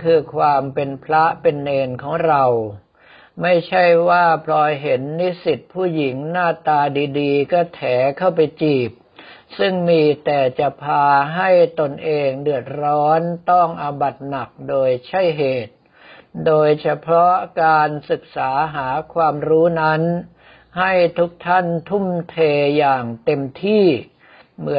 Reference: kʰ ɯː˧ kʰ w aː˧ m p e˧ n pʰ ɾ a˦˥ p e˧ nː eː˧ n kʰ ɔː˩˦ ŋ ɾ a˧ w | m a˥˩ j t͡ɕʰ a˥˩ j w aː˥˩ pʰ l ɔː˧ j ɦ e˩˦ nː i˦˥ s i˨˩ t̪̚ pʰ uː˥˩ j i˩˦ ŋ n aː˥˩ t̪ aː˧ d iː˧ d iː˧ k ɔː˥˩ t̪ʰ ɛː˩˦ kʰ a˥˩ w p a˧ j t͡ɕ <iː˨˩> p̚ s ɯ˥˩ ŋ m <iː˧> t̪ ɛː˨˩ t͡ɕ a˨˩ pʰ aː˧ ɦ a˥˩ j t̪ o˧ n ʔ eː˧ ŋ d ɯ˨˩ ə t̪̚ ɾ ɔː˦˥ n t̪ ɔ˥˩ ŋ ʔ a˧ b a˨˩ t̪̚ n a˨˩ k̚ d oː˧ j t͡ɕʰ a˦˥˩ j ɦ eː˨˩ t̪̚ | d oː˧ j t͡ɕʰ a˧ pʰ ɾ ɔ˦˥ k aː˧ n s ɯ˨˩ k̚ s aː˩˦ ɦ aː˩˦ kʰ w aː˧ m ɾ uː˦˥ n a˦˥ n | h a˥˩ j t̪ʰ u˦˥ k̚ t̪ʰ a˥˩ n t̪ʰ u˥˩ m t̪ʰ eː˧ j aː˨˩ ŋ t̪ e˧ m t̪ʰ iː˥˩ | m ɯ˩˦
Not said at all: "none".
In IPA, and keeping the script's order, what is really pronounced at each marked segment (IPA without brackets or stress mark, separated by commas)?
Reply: iː˨˩, iː˧